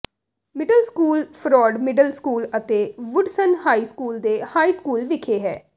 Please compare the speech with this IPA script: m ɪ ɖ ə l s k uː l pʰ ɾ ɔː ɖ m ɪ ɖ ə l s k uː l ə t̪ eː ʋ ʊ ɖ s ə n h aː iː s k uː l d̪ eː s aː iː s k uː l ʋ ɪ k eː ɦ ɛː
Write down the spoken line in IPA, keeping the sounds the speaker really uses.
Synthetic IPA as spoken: m ɪ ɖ ə l s k uː l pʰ ɾ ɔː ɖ m ɪ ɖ ə l s k uː l ə t̪ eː ʋ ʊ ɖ s ə n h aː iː s k uː l d̪ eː h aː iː s k uː l ʋ ɪ kʰ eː ɦ ɛː